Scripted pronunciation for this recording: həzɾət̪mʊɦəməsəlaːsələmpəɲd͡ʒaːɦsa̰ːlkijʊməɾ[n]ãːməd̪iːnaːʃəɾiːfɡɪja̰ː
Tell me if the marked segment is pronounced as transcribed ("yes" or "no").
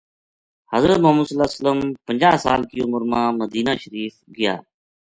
no